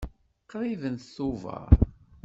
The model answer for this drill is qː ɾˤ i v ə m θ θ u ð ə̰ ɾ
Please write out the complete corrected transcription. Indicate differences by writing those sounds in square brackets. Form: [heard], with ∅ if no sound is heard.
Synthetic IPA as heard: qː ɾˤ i v ə [n] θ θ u [v] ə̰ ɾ